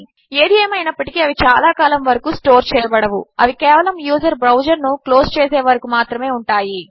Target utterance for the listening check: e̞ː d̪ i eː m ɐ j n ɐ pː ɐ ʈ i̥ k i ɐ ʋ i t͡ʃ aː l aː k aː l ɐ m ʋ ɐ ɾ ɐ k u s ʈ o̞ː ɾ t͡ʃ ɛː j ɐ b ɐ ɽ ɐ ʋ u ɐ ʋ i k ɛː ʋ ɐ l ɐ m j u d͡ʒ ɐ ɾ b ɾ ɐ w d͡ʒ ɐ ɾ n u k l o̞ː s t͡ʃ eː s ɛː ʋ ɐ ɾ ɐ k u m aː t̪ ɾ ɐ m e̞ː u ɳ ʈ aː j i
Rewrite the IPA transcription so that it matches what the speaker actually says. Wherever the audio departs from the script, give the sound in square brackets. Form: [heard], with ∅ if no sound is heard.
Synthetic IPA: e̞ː d̪ i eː m ɐ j n ɐ pː ɐ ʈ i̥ k i ɐ ʋ i t͡ʃ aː l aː k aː l ɐ m ʋ ɐ ɾ ɐ k u s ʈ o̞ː ɾ t͡ʃ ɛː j ɐ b ɐ ɽ ɐ ʋ u ɐ ʋ i k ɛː ʋ ɐ l ɐ m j [uː] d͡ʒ ɐ ɾ b ɾ ɐ w d͡ʒ ɐ ɾ n u k l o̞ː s t͡ʃ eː s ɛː ʋ ɐ ɾ ɐ k u m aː t̪ ɾ ɐ m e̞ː u ɳ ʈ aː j i